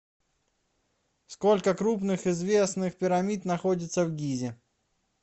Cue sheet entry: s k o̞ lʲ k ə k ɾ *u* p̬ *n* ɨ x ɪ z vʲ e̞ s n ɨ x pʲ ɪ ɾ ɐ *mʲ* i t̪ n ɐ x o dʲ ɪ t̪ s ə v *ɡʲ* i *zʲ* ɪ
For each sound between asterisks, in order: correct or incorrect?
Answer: correct, correct, correct, correct, correct

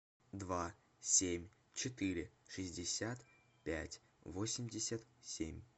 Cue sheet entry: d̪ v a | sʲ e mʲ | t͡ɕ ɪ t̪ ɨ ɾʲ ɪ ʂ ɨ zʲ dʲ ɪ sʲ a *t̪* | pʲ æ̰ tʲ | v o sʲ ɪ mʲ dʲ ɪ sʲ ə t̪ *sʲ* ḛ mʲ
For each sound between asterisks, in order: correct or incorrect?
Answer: correct, correct

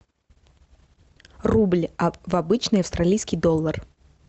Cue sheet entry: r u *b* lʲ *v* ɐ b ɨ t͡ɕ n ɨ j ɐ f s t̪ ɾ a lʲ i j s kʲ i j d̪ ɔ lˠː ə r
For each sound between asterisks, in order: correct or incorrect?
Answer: correct, correct

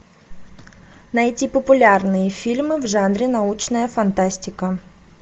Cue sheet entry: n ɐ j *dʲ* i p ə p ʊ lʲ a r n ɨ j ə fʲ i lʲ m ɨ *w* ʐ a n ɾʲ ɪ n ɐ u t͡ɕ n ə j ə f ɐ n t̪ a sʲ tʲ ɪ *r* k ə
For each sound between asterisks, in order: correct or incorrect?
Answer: incorrect: tʲ, incorrect: v, incorrect: none

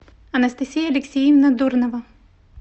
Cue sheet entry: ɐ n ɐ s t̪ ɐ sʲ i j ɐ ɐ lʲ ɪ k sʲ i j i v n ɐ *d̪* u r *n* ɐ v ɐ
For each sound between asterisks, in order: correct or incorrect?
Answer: correct, correct

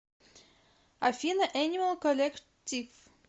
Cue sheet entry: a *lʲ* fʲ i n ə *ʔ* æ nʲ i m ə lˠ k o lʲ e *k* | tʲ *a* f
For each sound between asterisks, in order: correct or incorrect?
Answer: incorrect: none, correct, correct, incorrect: i

